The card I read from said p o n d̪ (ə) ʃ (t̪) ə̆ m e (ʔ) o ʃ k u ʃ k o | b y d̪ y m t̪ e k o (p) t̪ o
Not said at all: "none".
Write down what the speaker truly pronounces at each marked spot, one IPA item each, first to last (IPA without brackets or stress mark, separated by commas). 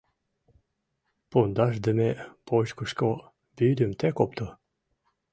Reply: ɑ, d̪, p, p